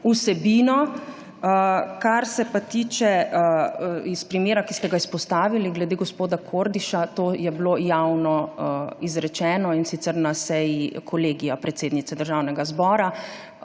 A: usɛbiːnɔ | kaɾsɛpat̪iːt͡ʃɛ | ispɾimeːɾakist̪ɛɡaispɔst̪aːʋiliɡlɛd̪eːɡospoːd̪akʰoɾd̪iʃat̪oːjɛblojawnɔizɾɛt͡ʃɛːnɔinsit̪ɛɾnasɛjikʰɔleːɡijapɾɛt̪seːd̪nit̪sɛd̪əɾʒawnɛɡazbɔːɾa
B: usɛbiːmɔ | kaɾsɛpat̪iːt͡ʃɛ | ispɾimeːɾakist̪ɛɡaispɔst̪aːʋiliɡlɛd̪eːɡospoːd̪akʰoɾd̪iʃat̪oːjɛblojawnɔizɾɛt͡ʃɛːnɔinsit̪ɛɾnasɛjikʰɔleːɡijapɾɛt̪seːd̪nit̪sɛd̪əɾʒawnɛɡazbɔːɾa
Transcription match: A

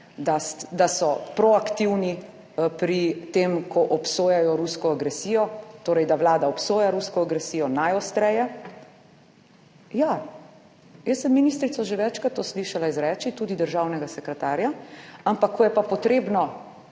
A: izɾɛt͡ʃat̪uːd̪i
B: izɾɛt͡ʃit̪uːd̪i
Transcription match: B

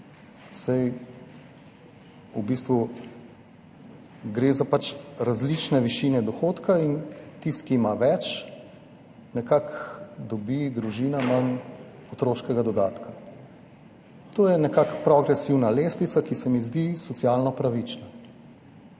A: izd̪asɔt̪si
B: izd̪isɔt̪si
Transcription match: B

